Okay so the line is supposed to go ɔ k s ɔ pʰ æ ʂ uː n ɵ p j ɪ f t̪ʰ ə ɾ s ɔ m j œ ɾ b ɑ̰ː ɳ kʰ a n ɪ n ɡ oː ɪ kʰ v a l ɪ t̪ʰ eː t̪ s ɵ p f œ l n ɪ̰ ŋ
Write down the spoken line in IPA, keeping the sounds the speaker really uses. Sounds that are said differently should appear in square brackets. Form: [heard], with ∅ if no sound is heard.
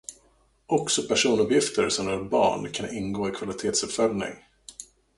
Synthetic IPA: ɔ k s ɔ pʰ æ ʂ uː n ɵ p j ɪ f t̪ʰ ə ɾ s ɔ m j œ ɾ b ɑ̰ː ɳ kʰ a n ɪ n ɡ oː ɪ kʰ v a l ɪ t̪ʰ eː t̪ s ɵ p f œ l n ɪ̰ ŋ